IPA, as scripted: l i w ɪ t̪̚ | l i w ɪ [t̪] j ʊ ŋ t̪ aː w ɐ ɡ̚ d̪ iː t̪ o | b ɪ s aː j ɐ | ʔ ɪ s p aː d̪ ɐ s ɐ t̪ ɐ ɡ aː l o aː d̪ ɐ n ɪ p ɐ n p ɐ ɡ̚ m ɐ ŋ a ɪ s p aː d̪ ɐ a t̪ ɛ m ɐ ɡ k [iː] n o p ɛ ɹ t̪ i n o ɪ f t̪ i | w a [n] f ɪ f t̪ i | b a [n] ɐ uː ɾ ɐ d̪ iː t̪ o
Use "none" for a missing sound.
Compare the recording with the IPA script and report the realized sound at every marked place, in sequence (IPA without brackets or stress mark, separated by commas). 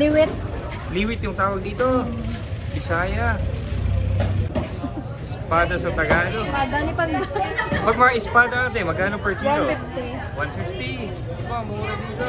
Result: t̪, aː, n, m